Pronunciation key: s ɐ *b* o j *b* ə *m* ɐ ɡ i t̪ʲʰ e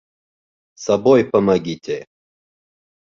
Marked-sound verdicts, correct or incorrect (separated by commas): correct, incorrect, correct